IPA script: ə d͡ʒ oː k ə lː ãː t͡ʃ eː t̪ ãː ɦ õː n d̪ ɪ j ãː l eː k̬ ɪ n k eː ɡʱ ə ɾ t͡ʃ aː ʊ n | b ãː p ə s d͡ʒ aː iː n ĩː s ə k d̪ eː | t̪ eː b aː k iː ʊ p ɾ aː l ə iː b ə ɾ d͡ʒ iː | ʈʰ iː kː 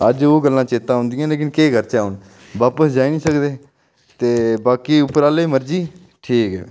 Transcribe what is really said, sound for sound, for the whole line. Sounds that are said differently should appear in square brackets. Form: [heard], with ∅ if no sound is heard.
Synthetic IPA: ə d͡ʒ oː [ɡ] ə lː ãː t͡ʃ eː t̪ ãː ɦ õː n d̪ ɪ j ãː l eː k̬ ɪ n k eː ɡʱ ə ɾ t͡ʃ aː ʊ n | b [aː] p ə s d͡ʒ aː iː n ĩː s ə k d̪ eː | t̪ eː b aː k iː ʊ p ɾ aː l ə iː [m] ə ɾ d͡ʒ iː | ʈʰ iː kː